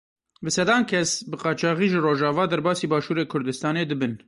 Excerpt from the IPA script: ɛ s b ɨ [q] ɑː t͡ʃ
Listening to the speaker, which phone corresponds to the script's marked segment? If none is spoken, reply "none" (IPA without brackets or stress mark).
q